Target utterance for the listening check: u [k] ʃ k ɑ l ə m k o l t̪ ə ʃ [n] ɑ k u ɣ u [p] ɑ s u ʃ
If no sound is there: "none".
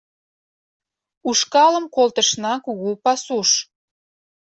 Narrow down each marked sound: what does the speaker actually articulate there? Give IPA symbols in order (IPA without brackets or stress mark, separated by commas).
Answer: none, n, p